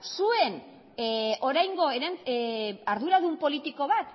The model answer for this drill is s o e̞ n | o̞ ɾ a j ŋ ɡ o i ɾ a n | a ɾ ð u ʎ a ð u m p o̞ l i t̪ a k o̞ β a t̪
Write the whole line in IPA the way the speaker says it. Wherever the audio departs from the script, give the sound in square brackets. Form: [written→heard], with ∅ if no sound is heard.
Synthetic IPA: s [o→u] e̞ n | o̞ ɾ a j ŋ ɡ o [i→e] ɾ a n | a ɾ ð u [ʎ→ɾ] a ð u m p o̞ l i t̪ [a→i] k o̞ β a t̪